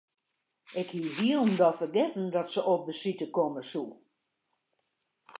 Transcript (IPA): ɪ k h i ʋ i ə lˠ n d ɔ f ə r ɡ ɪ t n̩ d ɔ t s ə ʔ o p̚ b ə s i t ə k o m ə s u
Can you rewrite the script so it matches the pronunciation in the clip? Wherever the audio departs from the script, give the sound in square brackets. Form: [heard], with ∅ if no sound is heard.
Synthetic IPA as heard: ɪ k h i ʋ i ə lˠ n d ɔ f ə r ɡ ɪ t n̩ d ɔ t s ə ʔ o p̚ b ə s i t ə k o m ə s u